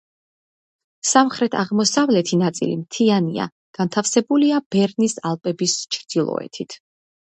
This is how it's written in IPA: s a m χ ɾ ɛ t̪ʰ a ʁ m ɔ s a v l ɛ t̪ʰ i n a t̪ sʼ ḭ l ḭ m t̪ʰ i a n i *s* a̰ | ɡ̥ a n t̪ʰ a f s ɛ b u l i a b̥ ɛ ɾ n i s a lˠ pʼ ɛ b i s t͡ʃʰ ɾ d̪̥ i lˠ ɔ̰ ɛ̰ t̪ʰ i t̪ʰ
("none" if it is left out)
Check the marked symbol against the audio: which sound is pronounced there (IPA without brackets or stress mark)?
none